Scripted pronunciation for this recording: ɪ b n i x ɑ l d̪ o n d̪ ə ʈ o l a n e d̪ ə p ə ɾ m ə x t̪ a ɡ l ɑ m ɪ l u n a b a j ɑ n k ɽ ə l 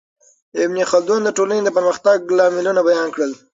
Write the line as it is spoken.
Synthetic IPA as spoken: ɪ b n i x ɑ l d̪ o n d̪ ə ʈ o l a n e d̪ ə p ə ɾ m ə x t̪ a ɡ l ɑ m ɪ l u n a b a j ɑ n k ɽ ə l